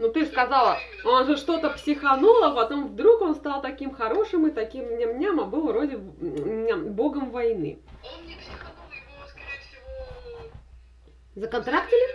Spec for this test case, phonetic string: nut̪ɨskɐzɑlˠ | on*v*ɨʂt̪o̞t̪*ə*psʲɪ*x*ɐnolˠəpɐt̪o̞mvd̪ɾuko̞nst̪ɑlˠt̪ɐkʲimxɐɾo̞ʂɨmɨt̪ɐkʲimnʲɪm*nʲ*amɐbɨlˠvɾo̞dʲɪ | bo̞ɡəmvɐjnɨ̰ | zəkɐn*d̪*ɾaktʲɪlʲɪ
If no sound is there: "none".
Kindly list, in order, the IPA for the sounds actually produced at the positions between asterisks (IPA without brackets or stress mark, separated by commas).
ʐ, ə, x, nʲ, t̪